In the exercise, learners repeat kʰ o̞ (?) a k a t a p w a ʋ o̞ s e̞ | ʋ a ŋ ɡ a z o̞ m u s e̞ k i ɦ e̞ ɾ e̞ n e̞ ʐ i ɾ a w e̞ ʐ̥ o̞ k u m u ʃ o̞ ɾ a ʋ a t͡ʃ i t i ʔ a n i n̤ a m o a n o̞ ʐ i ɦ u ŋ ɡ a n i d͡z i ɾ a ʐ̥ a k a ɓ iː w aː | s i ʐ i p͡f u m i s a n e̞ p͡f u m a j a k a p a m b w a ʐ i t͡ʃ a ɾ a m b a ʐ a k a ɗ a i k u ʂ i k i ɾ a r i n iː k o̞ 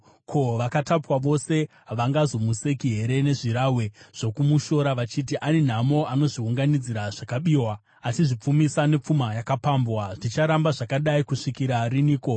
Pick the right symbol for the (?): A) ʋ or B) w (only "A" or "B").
A